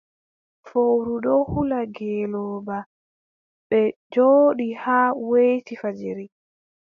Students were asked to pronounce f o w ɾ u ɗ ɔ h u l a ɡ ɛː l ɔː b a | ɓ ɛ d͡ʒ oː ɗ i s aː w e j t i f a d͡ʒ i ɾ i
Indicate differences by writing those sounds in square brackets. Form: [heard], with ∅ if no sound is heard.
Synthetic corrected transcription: f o w ɾ u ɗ ɔ h u l a ɡ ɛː l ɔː b a | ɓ ɛ d͡ʒ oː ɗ i [h] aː w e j t i f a d͡ʒ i ɾ i